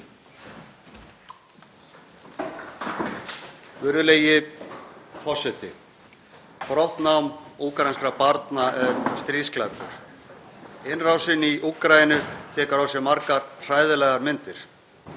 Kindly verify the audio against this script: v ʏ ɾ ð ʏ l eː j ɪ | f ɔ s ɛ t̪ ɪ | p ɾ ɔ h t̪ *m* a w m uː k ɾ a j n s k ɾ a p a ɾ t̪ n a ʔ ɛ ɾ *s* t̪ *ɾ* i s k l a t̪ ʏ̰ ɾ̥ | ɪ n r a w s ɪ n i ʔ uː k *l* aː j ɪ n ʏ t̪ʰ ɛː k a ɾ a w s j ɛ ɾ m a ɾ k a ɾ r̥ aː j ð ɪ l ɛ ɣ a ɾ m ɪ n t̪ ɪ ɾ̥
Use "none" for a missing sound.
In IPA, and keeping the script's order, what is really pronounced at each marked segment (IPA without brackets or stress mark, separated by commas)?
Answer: n, s, ɾ, ɾ